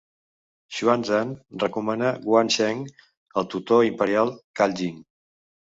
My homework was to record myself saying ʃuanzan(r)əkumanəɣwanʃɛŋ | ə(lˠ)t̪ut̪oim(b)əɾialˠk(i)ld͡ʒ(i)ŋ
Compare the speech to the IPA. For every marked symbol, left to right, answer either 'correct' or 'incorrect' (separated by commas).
correct, correct, incorrect, incorrect, correct